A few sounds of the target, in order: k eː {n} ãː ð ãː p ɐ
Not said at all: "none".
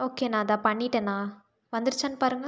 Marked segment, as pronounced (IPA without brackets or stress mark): n